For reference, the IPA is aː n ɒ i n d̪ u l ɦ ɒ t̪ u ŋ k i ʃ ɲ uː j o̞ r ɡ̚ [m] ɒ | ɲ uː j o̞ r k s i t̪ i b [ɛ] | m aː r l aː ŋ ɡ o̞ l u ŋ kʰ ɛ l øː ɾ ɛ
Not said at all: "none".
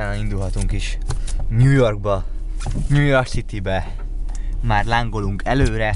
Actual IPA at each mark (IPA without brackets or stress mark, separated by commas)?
b, ɛ